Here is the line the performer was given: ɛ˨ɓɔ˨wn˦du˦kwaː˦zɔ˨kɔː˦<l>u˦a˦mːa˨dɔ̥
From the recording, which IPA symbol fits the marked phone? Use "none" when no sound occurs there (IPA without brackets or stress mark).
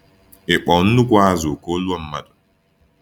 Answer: l